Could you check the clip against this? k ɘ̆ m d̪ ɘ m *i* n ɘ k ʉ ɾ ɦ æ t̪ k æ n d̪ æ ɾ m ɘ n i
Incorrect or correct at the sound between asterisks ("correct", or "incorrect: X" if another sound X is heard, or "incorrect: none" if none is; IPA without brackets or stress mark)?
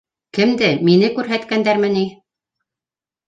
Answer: correct